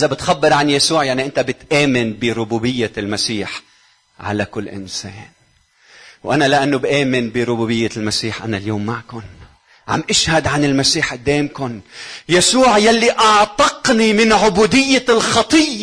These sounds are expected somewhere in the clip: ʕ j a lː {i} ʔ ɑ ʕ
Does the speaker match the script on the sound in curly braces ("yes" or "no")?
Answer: yes